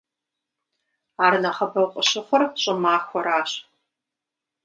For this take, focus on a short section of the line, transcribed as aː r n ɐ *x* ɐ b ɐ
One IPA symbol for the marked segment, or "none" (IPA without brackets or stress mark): χ